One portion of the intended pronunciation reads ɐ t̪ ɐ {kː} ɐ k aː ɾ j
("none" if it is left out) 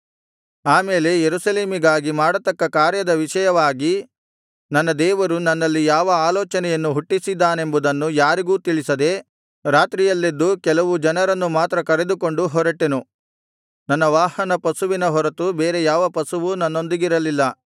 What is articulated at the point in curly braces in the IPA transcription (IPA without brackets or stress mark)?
kː